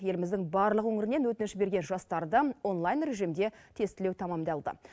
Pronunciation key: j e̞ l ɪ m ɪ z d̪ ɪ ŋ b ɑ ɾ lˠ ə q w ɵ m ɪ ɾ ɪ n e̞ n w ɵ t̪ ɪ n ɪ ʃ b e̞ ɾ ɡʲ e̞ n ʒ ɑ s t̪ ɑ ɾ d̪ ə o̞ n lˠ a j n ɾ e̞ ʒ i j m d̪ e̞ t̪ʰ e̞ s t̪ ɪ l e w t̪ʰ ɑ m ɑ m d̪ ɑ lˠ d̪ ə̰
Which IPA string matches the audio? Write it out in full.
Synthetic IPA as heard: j e̞ l ɪ m ɪ z d̪ ɪ ŋ b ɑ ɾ lˠ ə q w ɵ ŋ ɪ ɾ ɪ n e̞ n w ɵ t̪ ɪ n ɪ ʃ b e̞ ɾ ɡʲ e̞ n ʒ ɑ s t̪ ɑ ɾ d̪ ə o̞ n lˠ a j n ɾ e̞ ʒ i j m d̪ e̞ t̪ʰ e̞ s t̪ ɪ l e w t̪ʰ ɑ m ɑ m d̪ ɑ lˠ d̪ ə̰